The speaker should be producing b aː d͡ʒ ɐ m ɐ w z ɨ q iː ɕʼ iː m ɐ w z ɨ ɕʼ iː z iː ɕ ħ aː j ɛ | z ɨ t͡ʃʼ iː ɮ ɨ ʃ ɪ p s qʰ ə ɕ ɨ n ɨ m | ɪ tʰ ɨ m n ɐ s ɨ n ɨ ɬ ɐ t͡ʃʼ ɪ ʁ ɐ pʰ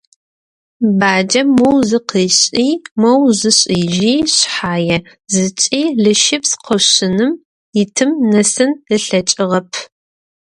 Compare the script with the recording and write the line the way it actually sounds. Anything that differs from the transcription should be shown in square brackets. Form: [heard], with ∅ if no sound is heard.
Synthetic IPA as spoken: b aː d͡ʒ ɐ m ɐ w z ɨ q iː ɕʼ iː m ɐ w z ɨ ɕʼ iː [ʒ] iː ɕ ħ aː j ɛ | z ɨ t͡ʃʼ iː ɮ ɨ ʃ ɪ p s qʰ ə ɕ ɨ n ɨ m | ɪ tʰ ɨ m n ɐ s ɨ n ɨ ɬ ɐ t͡ʃʼ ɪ ʁ ɐ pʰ